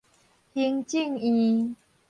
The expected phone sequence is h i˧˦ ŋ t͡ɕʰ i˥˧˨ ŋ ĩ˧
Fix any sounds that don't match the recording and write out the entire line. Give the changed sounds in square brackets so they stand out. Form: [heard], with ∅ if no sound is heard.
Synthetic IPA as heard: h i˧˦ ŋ [t͡ɕ] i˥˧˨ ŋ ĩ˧